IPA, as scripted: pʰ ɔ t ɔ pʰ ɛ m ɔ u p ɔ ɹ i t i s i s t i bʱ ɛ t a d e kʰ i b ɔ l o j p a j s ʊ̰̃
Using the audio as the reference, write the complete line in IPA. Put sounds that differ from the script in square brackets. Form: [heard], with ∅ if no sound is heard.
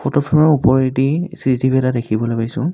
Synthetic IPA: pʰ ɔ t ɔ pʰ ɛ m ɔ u p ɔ ɹ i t i s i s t i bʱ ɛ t a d e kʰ i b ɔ l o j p a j s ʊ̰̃